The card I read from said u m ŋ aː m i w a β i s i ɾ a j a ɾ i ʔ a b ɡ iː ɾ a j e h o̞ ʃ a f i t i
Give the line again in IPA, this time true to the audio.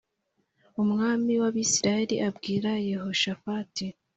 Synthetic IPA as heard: u m ŋ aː m i w a β i s i ɾ a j e ɾ i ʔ a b ɡ iː ɾ a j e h o̞ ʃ a f a t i